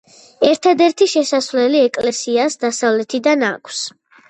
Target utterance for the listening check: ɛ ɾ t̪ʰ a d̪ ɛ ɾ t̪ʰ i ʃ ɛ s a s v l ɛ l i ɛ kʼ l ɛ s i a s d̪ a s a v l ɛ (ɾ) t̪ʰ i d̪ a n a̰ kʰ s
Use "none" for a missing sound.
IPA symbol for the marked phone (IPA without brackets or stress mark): none